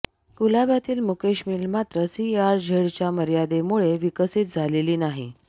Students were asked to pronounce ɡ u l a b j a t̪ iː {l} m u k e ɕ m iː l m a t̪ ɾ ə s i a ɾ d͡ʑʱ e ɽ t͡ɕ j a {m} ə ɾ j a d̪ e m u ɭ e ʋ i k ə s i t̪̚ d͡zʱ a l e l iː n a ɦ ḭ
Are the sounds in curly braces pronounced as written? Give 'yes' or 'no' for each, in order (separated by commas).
yes, yes